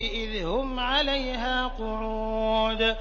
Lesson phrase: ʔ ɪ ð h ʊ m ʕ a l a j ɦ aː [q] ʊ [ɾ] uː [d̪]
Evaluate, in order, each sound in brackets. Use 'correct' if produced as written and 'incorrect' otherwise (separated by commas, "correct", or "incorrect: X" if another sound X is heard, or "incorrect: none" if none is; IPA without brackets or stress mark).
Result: correct, correct, correct